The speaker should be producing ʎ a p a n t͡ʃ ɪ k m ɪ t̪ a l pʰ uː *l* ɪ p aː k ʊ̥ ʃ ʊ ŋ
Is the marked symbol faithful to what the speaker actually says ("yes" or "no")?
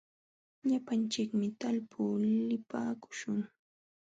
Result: yes